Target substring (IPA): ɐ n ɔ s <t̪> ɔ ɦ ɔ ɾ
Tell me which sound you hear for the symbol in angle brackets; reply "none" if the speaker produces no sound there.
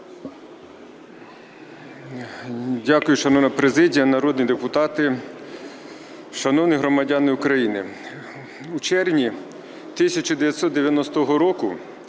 t̪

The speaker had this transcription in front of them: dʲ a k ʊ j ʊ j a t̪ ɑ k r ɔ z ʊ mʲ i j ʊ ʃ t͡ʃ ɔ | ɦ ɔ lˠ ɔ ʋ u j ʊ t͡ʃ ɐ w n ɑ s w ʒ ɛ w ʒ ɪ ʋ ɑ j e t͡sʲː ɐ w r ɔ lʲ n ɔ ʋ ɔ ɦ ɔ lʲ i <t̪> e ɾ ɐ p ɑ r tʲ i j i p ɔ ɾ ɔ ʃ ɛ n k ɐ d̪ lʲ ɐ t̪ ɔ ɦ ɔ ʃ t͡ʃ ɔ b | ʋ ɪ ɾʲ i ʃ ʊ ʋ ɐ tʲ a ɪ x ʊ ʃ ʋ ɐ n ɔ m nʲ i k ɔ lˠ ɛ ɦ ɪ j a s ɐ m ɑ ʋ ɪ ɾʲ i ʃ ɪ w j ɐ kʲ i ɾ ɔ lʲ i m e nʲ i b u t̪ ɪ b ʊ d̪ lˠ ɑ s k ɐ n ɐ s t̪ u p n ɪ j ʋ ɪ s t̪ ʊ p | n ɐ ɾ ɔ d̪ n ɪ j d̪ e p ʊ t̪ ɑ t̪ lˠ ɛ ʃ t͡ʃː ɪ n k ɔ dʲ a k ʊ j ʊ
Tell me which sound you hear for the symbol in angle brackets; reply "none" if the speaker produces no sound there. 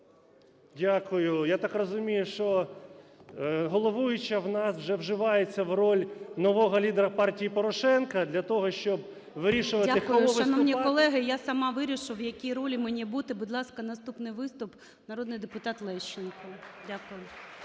d̪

